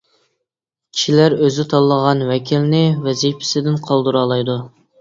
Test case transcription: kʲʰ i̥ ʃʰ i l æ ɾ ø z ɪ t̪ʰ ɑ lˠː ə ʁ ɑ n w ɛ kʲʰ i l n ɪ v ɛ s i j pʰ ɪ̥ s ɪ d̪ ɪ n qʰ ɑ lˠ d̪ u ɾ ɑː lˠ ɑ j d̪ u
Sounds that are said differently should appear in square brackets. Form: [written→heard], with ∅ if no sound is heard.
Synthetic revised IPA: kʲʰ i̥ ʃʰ i l æ ɾ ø z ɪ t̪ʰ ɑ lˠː ə ʁ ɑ n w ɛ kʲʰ i l n ɪ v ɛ [s→z] i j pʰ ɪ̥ s ɪ d̪ ɪ n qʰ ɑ lˠ d̪ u ɾ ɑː lˠ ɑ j d̪ u